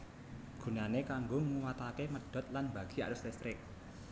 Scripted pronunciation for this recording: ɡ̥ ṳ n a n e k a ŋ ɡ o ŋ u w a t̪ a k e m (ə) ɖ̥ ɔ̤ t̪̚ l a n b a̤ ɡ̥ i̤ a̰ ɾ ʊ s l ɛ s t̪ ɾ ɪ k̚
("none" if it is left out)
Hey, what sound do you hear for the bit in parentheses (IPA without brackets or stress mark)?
ə